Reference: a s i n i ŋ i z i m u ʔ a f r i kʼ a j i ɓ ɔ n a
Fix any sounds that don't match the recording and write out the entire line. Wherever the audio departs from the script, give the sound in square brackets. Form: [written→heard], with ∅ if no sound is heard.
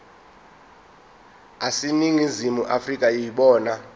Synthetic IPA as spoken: a s i n i ŋ i z i m u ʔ a f r i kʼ a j i ɓ [ɔ→ɔː] n a